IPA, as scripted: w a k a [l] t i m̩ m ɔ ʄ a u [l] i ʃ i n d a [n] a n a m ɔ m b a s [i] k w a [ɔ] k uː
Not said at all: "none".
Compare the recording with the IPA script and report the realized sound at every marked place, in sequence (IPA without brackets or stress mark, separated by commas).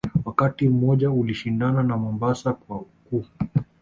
none, l, n, a, u